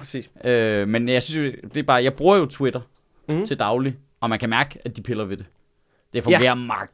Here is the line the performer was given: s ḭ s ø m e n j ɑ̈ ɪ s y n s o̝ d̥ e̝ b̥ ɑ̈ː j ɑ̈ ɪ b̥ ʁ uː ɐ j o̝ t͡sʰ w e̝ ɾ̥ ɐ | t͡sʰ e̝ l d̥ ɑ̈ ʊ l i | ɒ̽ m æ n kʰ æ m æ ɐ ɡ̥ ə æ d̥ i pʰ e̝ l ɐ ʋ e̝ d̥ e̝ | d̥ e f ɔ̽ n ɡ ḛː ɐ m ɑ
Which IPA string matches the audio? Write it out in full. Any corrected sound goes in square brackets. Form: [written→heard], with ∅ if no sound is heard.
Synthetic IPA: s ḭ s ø m e n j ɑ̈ ɪ s y n s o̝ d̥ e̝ b̥ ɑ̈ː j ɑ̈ ɪ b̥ ʁ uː ɐ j o̝ t͡sʰ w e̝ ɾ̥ ɐ | t͡sʰ e̝ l d̥ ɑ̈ ʊ l i | ɒ̽ m æ n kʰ æ m æ ɐ ɡ̥ ə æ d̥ i pʰ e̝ l ɐ ʋ e̝ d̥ e̝ | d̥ e f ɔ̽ [n→ŋ] ɡ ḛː ɐ m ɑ